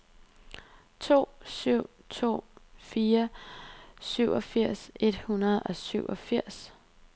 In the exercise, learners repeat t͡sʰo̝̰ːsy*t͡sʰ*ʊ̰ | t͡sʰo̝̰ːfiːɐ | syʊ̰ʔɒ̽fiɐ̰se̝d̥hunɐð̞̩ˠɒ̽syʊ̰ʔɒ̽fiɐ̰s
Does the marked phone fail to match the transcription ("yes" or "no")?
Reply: yes